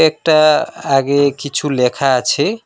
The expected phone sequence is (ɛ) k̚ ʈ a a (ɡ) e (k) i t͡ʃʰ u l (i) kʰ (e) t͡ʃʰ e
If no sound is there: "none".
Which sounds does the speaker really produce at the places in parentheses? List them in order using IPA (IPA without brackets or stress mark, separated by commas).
e, ɡ, k, e, a